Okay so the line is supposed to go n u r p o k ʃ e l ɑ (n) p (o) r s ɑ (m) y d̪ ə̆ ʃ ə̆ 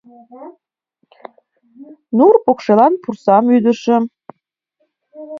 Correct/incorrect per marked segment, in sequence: correct, incorrect, correct

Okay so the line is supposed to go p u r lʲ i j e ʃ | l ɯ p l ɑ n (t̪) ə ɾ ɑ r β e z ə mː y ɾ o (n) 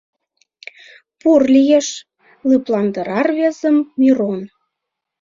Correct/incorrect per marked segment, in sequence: incorrect, correct

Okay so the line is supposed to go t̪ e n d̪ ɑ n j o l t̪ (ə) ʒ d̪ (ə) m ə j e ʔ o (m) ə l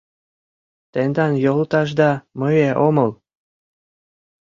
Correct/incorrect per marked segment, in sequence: incorrect, incorrect, correct

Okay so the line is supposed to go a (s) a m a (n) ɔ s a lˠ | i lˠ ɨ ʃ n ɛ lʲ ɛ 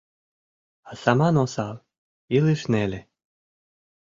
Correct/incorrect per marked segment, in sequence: correct, correct

